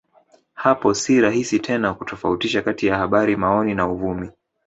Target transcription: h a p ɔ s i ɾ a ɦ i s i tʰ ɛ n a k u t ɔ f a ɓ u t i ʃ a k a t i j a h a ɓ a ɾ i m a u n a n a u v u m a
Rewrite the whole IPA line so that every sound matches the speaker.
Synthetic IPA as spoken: h a p ɔ s i ɾ a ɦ i s i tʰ ɛ n a k u t ɔ f a u t i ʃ a k a t i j a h a ɓ a ɾ i m a ɔ n i n a u v u m i

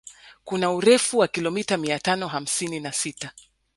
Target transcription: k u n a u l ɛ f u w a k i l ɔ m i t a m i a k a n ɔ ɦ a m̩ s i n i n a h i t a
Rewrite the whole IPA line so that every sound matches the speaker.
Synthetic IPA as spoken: k u n a u ɾ ɛ f u w a k i l ɔ m i t a m i a t a n ɔ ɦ a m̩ s i n i n a s i t a

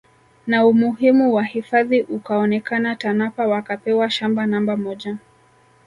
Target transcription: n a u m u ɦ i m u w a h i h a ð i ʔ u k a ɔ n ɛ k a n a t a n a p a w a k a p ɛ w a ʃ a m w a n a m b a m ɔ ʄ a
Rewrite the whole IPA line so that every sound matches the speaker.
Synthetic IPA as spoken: n a u m u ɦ i m u w a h i f a ð i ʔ u k a ɔ n ɛ k a n a t a n a p a w a k a p ɛ w a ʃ a m b a n a m b a m ɔ ʄ a

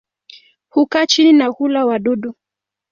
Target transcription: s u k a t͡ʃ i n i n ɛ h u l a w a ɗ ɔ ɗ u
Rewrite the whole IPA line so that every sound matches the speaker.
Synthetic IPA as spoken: h u k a t͡ʃ i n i n a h u l a w a ɗ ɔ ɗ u

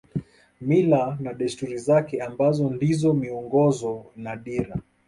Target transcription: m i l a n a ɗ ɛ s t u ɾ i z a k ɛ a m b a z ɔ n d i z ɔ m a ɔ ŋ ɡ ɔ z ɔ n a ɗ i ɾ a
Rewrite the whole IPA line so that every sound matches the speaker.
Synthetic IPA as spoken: m i l a n a ɗ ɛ s t u ɾ i z a k ɛ a m b a z ɔ n d i z ɔ m i ɔ ŋ ɡ ɔ z ɔ n a ɗ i ɾ a

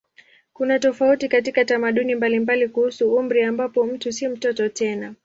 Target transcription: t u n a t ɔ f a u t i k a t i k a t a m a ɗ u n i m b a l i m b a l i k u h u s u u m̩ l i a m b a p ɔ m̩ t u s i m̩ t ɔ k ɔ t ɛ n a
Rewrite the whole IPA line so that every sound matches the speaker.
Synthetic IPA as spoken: k u n a t ɔ f a u t i k a t i k a t a m a ɗ u n i m b a l i m b a l i k u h u s u u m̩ ɾ i a m b a p ɔ m̩ t u s i m̩ t ɔ t ɔ t ɛ n a

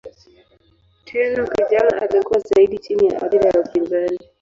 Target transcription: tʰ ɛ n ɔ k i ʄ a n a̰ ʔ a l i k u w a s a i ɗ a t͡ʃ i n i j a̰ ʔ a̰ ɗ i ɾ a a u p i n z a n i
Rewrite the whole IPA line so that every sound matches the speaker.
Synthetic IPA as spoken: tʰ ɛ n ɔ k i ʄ a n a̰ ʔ a l i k u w a z a i ɗ i t͡ʃ i n i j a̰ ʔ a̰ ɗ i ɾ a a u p i n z a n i

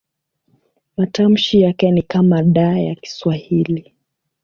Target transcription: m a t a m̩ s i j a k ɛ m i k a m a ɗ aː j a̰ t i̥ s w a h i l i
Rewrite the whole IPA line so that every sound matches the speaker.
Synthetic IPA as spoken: m a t a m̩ ʃ i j a k ɛ n i k a m a ɗ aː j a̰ k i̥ s w a h i l i

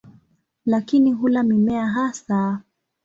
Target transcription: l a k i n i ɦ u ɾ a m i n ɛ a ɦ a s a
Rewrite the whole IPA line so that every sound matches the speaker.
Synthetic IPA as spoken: l a k i n i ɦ u l a m i m ɛ a ɦ a s a

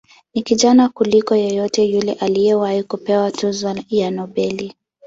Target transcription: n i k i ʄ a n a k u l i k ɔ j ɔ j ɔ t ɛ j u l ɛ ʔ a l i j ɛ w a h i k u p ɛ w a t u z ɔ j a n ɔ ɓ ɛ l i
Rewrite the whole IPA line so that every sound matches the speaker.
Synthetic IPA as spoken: n i k i ʄ a n a k u l i k ɔ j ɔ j ɔ t ɛ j u l ɛ ʔ a l i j ɛ w a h i k u p ɛ w a t u z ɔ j a n ɔ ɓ ɛ l i

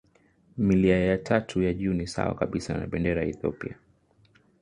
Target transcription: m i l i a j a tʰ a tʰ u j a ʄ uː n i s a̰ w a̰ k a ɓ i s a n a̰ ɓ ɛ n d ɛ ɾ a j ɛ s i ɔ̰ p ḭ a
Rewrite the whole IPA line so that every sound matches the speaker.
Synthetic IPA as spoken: m i l i a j a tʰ a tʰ u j a ʄ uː n i s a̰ w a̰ k a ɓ i s a n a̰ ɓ ɛ n d ɛ ɾ a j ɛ θ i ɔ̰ p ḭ a

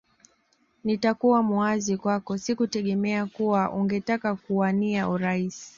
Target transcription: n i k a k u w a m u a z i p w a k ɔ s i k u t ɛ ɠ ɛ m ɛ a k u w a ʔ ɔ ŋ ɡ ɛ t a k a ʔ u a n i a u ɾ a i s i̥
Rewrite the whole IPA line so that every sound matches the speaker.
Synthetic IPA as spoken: n i t a k u w a m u a z i k w a k ɔ s i k u t ɛ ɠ ɛ m ɛ a k u w a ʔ u ŋ ɡ ɛ t a k a k u a n i a u ɾ a i s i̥

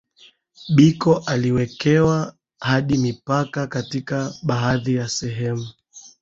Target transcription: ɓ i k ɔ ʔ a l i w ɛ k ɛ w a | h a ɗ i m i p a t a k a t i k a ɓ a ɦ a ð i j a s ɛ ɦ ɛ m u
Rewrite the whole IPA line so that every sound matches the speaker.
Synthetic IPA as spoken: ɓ i k ɔ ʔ a l i w ɛ k ɛ w a | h a ɗ i m i p a k a k a t i k a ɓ a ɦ a ð i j a s ɛ ɦ ɛ m u

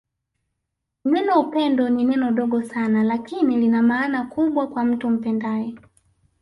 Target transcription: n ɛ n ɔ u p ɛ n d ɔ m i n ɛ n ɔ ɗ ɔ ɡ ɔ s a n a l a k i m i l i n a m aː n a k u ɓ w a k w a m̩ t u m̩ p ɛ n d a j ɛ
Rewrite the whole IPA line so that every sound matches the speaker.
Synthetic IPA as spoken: n ɛ n ɔ u p ɛ n d ɔ n i n ɛ n ɔ ɗ ɔ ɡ ɔ s a n a l a k i n i l i n a m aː n a k u ɓ w a k w a m̩ t u m̩ p ɛ n d a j ɛ

